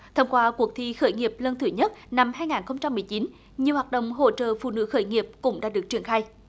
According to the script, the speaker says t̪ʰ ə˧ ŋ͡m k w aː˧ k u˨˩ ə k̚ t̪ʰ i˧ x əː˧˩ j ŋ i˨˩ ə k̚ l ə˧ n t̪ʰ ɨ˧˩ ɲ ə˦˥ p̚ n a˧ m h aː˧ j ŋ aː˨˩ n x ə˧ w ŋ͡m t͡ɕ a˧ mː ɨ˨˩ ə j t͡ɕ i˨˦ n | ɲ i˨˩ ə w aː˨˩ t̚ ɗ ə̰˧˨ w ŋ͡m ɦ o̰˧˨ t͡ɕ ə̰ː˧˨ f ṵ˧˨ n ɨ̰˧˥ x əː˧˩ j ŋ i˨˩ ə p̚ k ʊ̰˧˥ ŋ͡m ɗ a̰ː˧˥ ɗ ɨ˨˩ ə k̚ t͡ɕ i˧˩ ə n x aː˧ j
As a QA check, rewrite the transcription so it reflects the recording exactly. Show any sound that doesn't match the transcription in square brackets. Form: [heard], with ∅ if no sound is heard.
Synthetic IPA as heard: t̪ʰ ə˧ ŋ͡m k w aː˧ k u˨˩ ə k̚ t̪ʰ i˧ x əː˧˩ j ŋ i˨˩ ə [p̚] l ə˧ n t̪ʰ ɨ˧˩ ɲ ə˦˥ [t̚] n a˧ m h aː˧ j ŋ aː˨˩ n x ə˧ w ŋ͡m t͡ɕ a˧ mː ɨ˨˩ ə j t͡ɕ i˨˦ n | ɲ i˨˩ ə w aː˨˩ t̚ ɗ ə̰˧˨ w ŋ͡m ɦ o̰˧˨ t͡ɕ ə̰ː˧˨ f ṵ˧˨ n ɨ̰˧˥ x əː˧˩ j ŋ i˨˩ ə p̚ k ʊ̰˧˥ ŋ͡m ɗ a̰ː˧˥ ɗ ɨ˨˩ ə k̚ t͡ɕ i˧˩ ə n x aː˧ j